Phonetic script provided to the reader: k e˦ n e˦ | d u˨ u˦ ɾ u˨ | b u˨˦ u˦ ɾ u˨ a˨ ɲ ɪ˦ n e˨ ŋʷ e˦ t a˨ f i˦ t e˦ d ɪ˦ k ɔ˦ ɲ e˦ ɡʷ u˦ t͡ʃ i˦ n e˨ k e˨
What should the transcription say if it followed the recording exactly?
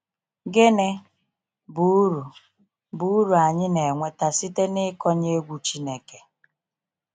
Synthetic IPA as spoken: ɡ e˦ n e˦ | b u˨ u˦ ɾ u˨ | b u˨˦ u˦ ɾ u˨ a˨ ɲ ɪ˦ n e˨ ŋʷ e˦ t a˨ s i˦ t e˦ n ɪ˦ k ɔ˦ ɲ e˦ ɡʷ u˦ t͡ʃ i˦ n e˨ k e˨

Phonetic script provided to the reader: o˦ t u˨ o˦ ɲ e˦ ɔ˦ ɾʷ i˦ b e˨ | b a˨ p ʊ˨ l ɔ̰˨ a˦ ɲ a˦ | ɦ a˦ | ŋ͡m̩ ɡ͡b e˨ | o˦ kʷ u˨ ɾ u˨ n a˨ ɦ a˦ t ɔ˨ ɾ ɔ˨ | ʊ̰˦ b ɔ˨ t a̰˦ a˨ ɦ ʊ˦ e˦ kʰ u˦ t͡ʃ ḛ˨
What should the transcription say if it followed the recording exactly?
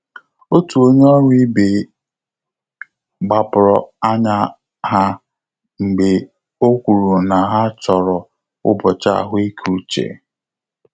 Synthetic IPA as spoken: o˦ t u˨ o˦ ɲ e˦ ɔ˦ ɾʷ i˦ b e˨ | ɡ͡b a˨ p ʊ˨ ɾ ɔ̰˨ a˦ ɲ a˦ | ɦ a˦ | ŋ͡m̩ ɡ͡b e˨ | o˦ kʷ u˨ ɾ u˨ n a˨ ɦ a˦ t͡ʃ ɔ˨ ɾ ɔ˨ | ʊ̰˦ b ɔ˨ t͡ʃ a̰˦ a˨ ɦ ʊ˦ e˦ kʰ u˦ t͡ʃ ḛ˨

